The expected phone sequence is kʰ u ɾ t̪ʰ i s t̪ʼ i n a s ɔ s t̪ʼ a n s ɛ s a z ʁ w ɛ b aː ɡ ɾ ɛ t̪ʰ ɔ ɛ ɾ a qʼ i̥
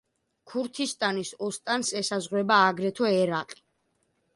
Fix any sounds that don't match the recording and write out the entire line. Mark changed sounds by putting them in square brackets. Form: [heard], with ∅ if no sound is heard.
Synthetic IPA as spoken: kʰ u ɾ t̪ʰ i s t̪ʼ [a] n [i] s ɔ s t̪ʼ a n s ɛ s a z ʁ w ɛ b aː ɡ ɾ ɛ t̪ʰ ɔ ɛ ɾ a qʼ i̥